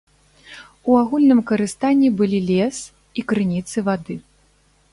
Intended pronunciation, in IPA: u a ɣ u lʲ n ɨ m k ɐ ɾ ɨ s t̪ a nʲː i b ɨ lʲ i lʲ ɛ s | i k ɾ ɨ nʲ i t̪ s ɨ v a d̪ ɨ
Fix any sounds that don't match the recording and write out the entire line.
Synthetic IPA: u a ɣ u lʲ n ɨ m k ɐ ɾ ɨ s t̪ a nʲː i b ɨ lʲ i lʲ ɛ s | i k ɾ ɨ nʲ i t̪ s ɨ v a d̪ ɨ

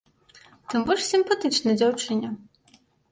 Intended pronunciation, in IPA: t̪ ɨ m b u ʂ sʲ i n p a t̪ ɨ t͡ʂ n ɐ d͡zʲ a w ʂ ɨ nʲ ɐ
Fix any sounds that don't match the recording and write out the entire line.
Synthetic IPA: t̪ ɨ m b ɔ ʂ sʲ i m p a t̪ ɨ t͡ʂ n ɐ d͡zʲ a w t͡ʂ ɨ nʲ ɐ

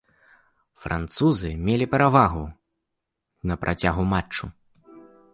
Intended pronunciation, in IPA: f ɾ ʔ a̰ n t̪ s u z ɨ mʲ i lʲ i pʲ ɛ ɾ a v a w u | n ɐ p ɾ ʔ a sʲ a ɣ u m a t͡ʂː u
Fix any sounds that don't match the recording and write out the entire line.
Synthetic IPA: f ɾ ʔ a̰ n t̪ s u z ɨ mʲ e lʲ i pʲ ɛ ɾ a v a ɣ u | n ɐ p ɾ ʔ a t͡sʲ a ɣ u m a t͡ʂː u

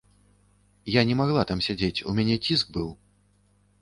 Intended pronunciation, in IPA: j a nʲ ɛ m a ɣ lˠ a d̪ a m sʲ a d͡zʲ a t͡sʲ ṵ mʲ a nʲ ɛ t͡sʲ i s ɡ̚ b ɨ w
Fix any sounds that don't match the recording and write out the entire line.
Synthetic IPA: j a nʲ ɛ m a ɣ lˠ a t̪ a m sʲ a d͡zʲ e t͡sʲ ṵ mʲ a nʲ ɛ t͡sʲ i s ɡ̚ b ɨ w

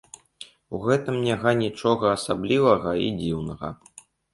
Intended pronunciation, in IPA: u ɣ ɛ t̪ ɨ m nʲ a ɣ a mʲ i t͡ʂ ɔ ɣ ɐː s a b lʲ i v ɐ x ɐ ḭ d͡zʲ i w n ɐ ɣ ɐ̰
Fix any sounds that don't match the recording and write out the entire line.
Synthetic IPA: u ɣ ɛ t̪ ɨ m nʲ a ɣ a nʲ i t͡ʂ ɔ ɣ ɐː s a b lʲ i v ɐ ɣ ɐ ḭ d͡zʲ i w n ɐ ɣ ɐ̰

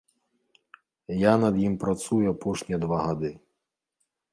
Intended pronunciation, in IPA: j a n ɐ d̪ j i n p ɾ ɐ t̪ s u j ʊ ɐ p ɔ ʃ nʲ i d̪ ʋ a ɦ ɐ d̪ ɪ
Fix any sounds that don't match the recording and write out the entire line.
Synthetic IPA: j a n ɐ d̪ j i m p ɾ ɐ t̪ s u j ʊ ɐ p ɔ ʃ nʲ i d̪ ʋ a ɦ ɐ d̪ ɪ

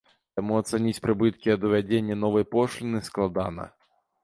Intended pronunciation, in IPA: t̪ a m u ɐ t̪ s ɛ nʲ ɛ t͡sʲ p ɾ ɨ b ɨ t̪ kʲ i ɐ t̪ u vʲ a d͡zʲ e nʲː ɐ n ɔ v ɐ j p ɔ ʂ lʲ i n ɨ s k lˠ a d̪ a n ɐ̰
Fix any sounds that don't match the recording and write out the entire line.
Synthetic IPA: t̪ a m u ɐ t̪ s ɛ nʲ i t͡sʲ p ɾ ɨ b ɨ t̪ kʲ i ɐ d̪ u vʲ a d͡zʲ e nʲː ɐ n ɔ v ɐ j p ɔ ʂ lʲ i n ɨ s k lˠ a d̪ a n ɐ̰

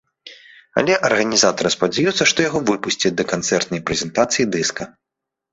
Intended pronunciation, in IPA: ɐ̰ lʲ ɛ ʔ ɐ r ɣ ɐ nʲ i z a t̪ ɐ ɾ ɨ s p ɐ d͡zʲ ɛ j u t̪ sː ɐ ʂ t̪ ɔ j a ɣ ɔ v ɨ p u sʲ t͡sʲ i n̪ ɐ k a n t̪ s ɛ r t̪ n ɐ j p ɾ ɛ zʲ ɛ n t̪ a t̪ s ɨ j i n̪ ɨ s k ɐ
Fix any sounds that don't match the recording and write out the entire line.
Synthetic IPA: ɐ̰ lʲ ɛ ʔ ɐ r ɣ ɐ nʲ i z a t̪ ɐ ɾ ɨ s p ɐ d͡zʲ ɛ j u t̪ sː ɐ ʂ t̪ ɔ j a ɣ ɔ v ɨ p u sʲ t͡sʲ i d̪ ɐ k a n t̪ s ɛ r t̪ n ɐ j p ɾ ɛ zʲ ɛ n t̪ a t̪ s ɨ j i d̪ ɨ s k ɐ

